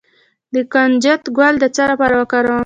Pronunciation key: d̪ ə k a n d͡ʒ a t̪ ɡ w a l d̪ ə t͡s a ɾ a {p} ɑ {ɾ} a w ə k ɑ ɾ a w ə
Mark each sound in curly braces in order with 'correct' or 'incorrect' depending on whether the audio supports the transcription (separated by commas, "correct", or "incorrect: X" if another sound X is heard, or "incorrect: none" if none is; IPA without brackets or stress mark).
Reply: correct, correct